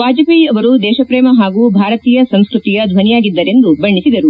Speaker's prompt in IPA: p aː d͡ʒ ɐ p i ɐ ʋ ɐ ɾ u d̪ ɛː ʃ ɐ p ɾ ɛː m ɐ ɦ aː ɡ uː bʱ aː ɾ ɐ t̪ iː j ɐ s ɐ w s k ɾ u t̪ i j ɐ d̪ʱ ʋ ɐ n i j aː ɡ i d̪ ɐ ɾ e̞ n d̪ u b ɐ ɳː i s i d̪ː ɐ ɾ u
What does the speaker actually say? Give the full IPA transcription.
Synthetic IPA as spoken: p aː d͡ʒ ɐ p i ɐ ʋ ɐ ɾ u d̪ ɛː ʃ ɐ p ɾ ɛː m ɐ ɦ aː ɡ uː bʱ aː ɾ ɐ t̪ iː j ɐ s ɐ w s k ɾ u t̪ i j ɐ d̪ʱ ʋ ɐ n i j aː ɡ i d̪ː ɐ ɾ e̞ n d̪ u b ɐ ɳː i s i d̪ ɐ ɾ u